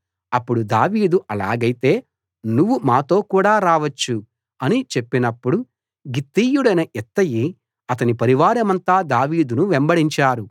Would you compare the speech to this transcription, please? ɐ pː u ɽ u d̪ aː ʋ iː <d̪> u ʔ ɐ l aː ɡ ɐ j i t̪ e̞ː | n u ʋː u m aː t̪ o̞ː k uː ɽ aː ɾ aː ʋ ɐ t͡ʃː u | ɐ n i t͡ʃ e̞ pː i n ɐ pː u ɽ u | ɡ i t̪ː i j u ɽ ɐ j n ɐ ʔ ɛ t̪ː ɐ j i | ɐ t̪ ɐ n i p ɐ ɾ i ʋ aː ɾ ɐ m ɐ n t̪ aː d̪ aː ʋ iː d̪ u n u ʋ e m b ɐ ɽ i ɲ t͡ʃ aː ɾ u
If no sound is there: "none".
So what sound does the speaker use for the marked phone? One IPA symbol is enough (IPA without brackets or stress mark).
d̪